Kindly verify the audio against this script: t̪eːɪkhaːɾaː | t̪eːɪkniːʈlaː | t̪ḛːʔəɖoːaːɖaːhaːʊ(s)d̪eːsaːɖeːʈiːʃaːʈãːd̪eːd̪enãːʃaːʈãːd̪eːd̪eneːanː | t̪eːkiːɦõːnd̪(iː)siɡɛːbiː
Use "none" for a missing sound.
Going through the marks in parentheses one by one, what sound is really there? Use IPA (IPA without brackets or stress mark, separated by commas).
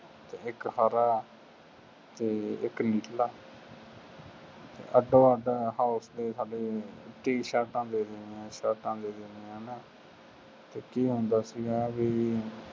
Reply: s, aː